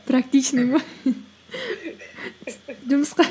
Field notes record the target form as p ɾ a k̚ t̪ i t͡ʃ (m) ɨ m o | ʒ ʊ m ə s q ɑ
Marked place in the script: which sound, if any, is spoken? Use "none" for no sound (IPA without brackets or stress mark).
n